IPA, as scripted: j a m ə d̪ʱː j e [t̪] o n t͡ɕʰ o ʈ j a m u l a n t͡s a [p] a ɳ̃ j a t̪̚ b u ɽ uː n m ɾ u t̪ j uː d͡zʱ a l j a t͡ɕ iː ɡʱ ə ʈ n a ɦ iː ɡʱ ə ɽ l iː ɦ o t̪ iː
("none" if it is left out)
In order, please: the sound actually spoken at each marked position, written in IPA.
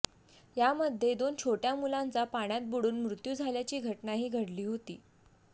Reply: d̪, p

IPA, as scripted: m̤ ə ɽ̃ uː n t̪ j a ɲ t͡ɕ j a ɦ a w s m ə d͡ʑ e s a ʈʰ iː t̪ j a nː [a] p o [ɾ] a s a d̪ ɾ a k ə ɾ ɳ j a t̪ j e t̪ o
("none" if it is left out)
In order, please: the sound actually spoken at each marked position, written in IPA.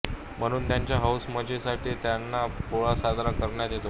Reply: a, ɭ

